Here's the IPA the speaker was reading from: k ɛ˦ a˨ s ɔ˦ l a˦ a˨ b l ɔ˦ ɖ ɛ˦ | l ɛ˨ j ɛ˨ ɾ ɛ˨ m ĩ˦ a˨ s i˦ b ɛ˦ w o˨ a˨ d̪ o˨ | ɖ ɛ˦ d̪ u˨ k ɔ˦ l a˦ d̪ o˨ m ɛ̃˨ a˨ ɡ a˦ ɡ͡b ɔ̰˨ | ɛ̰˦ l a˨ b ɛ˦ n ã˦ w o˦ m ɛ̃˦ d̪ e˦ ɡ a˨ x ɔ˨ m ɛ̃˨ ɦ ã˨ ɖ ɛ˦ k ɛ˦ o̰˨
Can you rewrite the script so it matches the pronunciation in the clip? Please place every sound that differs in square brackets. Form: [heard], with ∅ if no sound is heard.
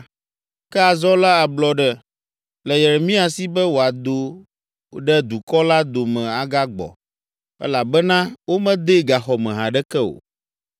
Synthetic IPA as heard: k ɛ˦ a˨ [z] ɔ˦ l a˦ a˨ b l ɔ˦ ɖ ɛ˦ | l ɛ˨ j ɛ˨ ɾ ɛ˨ m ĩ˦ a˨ s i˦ b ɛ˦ w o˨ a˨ d̪ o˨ | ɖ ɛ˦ d̪ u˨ k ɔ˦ l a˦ d̪ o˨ m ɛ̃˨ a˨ ɡ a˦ ɡ͡b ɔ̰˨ | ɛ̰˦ l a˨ b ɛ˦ n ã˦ w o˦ m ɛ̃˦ d̪ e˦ ɡ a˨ x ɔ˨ m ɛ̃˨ ɦ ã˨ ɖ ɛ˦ k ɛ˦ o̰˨

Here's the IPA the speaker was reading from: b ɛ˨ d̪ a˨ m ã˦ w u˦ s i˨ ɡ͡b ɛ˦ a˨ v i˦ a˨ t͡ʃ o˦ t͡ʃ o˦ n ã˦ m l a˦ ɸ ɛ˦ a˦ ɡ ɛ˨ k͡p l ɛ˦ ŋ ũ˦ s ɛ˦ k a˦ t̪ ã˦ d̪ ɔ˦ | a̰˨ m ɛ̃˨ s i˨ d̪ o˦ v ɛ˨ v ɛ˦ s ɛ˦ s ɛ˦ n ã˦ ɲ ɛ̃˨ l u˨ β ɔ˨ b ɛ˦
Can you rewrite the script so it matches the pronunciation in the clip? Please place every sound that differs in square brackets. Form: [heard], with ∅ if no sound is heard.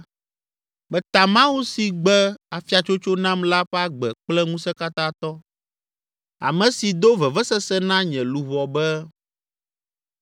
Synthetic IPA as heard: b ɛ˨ [t̪] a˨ m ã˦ w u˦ s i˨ ɡ͡b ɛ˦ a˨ [f] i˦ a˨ t͡ʃ o˦ t͡ʃ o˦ n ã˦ m l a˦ ɸ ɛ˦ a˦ [ɡ͡b] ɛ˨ k͡p l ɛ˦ ŋ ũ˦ s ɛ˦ k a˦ t̪ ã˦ [t̪] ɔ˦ | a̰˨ m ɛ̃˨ s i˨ d̪ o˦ v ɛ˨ v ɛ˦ s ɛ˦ s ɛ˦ n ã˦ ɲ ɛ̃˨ l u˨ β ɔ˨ b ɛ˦

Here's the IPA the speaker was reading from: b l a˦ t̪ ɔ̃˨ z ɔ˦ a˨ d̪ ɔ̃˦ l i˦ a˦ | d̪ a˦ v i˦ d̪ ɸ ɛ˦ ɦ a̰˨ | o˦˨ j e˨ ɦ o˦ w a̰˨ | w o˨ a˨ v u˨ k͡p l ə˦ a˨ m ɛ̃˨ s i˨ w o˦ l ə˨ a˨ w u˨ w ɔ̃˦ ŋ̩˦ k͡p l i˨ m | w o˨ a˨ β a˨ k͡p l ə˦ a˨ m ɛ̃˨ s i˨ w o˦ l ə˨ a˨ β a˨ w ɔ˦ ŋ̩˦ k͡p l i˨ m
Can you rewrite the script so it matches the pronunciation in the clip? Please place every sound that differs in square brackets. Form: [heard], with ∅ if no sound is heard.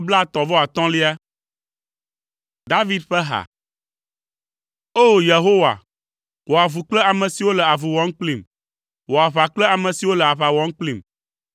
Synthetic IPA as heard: b l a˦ t̪ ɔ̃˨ [v] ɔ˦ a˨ [t̪] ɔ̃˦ l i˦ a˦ | d̪ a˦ v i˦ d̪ ɸ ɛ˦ ɦ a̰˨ | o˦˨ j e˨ ɦ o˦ w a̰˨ | w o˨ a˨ v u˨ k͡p l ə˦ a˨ m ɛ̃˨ s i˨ w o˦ l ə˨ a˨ [v] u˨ w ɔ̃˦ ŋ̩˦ k͡p l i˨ m | w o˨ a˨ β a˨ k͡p l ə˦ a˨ m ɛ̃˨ s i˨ w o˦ l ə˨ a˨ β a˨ w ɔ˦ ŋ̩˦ k͡p l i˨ m

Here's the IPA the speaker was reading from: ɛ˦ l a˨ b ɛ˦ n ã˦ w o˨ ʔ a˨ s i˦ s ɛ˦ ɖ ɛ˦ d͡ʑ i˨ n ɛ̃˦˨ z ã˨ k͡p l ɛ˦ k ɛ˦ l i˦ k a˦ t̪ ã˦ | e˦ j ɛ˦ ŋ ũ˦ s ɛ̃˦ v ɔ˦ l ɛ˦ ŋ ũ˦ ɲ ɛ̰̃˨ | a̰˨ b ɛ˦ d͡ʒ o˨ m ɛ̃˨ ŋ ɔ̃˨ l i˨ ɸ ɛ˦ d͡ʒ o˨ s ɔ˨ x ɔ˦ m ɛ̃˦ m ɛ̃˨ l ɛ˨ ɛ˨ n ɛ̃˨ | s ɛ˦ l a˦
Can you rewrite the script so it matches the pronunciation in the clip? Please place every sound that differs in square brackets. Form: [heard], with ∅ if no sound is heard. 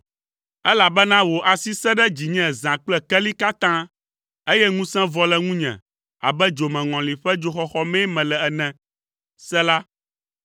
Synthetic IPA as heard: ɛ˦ l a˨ b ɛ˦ n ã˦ w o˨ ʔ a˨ s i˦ s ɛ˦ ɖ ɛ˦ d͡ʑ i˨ [ɲ] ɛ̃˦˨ z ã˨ k͡p l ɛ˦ k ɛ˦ l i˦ k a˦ t̪ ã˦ | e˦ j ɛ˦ ŋ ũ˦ s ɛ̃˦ v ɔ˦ l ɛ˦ ŋ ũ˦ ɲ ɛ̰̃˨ | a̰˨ b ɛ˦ d͡ʒ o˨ m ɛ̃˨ ŋ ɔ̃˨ l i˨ ɸ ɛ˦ d͡ʒ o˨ [x] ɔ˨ x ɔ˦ m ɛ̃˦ m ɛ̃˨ l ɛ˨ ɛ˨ n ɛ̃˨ | s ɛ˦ l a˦

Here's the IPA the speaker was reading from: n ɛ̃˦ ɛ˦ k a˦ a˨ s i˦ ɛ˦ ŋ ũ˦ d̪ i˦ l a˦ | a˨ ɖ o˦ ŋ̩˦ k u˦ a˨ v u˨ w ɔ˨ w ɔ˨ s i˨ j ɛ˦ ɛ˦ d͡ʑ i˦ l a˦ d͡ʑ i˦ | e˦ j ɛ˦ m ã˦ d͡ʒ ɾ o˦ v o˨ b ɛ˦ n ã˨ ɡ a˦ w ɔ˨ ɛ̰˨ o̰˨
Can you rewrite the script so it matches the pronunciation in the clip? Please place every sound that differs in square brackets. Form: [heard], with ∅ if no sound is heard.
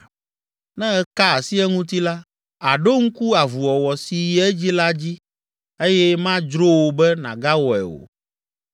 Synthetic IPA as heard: n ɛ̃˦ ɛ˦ k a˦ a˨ s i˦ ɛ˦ ŋ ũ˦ [t̪] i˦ l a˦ | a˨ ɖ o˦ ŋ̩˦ k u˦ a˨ v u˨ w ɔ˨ w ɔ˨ s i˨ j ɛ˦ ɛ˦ d͡ʑ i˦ l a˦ d͡ʑ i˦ | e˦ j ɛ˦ m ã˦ d͡ʒ ɾ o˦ [w] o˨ b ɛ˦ n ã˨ ɡ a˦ w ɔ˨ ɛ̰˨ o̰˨

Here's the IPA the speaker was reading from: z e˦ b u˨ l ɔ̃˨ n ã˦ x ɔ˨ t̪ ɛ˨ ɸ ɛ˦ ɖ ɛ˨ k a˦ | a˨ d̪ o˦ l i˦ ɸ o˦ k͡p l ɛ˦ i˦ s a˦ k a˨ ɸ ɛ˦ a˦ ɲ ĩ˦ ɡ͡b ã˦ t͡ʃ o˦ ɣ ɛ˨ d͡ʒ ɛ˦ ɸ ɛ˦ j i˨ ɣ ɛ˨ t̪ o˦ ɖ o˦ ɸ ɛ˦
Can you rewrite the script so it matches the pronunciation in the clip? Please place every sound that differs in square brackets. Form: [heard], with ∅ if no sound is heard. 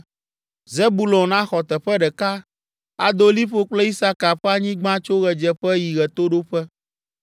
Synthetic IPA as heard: z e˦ b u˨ l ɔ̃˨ n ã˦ x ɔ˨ t̪ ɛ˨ ɸ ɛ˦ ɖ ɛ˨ k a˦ | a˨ d̪ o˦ l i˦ ɸ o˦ k͡p l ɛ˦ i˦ s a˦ k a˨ ɸ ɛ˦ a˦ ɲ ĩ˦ ɡ͡b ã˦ t͡ʃ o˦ ɣ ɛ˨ d͡ʒ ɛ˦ ɸ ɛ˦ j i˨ ɣ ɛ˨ t̪ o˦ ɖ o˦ ɸ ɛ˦

